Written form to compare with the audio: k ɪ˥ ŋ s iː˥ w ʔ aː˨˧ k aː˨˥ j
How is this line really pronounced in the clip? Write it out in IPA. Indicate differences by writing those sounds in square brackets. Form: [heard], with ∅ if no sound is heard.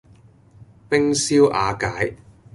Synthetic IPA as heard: [p] ɪ˥ ŋ s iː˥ w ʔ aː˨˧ k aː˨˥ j